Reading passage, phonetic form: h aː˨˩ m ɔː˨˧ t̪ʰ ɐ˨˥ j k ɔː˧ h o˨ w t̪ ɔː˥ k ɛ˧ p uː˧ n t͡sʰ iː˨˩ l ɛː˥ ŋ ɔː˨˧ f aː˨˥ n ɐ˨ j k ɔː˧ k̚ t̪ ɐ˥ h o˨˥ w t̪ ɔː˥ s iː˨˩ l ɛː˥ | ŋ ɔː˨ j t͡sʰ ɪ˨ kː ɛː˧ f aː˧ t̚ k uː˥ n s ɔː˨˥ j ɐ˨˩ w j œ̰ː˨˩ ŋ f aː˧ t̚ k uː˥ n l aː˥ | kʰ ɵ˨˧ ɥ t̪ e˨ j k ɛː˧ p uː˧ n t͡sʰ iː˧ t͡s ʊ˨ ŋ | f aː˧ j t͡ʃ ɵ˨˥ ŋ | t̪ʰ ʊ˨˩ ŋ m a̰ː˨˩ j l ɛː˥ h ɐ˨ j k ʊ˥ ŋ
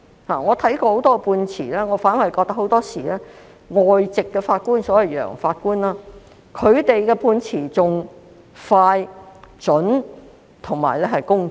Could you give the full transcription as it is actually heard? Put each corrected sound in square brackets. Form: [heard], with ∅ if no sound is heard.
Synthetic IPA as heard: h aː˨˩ [ŋ] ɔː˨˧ t̪ʰ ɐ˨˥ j k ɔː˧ h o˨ w t̪ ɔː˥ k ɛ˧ p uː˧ n t͡sʰ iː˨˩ l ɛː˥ ŋ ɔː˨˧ f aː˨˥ n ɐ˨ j k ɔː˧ k̚ t̪ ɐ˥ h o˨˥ w t̪ ɔː˥ s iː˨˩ l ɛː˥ | ŋ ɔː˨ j [t͡s] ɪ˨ kː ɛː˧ f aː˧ t̚ k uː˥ n s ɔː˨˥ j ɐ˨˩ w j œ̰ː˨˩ ŋ f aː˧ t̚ k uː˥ n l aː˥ | kʰ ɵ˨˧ ɥ t̪ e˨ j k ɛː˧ p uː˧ n t͡sʰ [iː˨˩] t͡s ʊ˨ ŋ | f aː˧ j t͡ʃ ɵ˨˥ [n] | t̪ʰ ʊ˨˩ ŋ m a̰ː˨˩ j l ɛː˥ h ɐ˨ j k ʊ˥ ŋ